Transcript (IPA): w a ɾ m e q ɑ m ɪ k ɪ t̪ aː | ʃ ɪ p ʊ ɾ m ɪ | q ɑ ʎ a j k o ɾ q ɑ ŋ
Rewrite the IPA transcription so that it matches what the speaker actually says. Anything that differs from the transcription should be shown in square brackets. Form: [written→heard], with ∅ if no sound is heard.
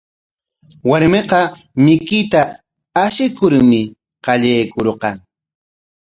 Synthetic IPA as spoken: w a ɾ m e q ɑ m ɪ k ɪ t̪ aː | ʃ ɪ [p→k] ʊ ɾ m ɪ | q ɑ ʎ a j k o ɾ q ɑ ŋ